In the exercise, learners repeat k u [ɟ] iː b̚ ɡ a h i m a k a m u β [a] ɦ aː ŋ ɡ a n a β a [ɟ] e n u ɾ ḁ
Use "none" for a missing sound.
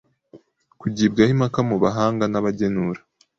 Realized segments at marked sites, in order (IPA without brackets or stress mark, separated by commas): ɟ, a, ɟ